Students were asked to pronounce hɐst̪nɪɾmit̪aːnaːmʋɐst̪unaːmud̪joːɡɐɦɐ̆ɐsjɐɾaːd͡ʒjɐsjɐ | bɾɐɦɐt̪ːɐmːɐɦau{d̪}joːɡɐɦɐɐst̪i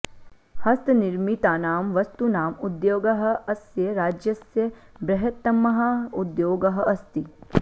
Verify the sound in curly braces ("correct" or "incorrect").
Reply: correct